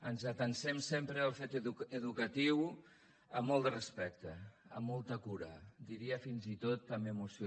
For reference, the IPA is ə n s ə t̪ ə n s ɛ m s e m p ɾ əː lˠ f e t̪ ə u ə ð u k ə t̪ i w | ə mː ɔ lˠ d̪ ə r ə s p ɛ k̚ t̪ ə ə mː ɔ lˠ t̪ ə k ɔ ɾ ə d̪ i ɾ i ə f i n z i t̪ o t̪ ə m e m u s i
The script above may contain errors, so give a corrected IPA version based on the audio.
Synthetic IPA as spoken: ə n z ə t̪ ə n s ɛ m s e m p ɾ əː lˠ f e t̪ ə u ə ð u k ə t̪ i w | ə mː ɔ lˠ d̪ ə r ə s p ɛ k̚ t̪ ə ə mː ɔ lˠ t̪ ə k u ɾ ə d̪ i ɾ i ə f i n z i t̪ o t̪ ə m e m u s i